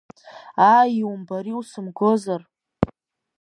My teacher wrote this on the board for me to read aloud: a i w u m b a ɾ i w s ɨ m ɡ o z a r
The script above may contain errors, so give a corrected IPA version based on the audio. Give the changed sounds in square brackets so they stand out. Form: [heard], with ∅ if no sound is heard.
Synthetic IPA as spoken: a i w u m b a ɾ i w s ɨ m ɡ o z a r